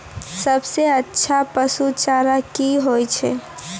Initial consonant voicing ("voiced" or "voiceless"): voiceless